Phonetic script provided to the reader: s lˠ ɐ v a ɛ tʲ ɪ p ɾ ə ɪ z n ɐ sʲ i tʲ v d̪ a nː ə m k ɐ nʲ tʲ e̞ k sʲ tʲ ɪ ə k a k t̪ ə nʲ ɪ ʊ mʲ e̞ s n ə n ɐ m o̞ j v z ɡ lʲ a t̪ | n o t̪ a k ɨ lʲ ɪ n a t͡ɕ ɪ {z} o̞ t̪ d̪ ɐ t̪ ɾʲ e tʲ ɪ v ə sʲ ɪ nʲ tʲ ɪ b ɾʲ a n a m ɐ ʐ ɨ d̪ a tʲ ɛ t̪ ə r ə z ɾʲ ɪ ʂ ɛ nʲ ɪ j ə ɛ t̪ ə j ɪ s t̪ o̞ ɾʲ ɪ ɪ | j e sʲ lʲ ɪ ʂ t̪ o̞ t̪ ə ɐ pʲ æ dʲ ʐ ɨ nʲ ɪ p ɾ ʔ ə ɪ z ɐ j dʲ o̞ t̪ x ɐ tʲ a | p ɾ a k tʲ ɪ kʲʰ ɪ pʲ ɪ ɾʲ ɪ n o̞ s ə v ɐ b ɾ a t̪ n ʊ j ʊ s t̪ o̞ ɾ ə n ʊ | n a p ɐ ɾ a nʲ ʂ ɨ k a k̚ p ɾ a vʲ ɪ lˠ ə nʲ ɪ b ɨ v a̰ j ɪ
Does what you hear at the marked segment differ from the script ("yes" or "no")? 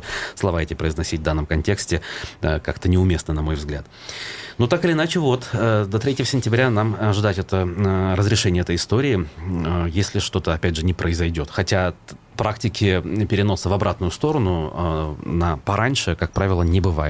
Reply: yes